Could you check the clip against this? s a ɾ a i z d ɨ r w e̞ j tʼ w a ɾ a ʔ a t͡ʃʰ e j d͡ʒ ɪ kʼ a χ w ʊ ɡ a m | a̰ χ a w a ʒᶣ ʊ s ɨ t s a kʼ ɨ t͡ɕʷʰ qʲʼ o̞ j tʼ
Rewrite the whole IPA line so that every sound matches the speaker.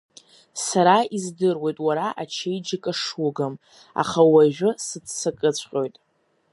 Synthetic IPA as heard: s a ɾ a i z d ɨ r w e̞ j tʼ w a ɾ a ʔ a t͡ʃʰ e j d͡ʒ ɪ kʼ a ʂ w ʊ ɡ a m | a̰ χ a w a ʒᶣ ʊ s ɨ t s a kʼ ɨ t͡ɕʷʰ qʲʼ o̞ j tʼ